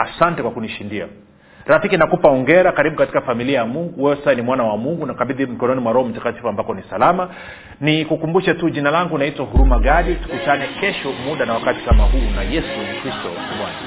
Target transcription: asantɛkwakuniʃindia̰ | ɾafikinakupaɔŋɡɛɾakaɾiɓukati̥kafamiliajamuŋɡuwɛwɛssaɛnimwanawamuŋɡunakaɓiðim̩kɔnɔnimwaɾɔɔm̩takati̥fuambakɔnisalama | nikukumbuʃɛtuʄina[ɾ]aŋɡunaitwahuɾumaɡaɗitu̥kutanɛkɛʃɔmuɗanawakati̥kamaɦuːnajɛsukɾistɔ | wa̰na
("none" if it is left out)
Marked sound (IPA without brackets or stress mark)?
l